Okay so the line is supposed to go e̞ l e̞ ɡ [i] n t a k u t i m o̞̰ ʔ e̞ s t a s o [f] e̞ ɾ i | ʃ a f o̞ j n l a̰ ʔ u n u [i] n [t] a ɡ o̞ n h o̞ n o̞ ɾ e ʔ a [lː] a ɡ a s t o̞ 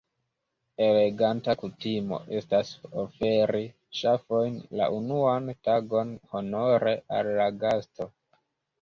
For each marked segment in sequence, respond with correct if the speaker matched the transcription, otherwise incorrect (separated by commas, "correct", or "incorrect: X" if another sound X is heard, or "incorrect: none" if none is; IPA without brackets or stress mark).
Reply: incorrect: a, correct, incorrect: a, correct, correct